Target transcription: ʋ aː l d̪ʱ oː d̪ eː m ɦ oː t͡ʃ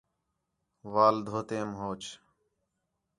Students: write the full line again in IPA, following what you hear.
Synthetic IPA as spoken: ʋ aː l d̪ʱ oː t̪ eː m ɦ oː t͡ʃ